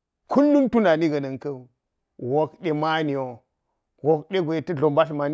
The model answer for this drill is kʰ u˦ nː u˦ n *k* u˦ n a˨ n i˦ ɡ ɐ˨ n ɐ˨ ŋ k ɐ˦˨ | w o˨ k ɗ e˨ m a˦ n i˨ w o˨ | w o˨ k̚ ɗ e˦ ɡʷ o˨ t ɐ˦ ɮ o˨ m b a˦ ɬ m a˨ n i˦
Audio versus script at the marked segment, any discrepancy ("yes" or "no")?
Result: yes